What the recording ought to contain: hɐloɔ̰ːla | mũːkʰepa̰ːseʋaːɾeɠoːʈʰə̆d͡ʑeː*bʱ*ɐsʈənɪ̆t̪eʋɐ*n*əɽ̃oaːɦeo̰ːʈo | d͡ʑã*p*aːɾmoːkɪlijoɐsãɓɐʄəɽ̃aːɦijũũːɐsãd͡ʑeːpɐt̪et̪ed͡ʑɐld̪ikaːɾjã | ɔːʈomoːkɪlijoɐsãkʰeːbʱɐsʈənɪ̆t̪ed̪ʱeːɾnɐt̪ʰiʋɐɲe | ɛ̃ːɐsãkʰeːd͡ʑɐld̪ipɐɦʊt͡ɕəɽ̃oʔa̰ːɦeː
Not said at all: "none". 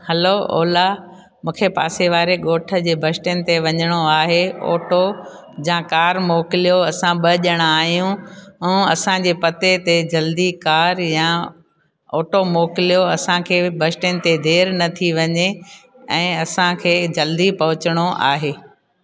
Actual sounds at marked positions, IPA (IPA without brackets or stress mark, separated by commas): bʱ, ɲ, k